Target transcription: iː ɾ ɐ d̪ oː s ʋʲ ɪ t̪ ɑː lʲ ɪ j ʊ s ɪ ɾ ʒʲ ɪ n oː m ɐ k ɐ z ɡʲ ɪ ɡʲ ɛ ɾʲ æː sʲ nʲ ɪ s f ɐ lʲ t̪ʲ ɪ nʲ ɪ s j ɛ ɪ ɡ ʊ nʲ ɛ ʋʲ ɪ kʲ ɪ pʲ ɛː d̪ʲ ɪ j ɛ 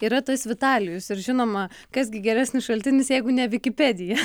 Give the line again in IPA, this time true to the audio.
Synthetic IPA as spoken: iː ɾ ɐ t̪ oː s ʋʲ ɪ t̪ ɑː lʲ ɪ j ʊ s ɪ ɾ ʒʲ ɪ n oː m ɐ k ɐ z ɡʲ ɪ ɡʲ ɛ ɾʲ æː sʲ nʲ ɪ s ʃ ɐ lʲ t̪ʲ ɪ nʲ ɪ s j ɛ ɪ ɡ ʊ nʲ ɛ ʋʲ ɪ kʲ ɪ pʲ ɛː d̪ʲ ɪ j ɛ